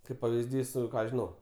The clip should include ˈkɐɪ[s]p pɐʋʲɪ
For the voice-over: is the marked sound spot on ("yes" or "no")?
no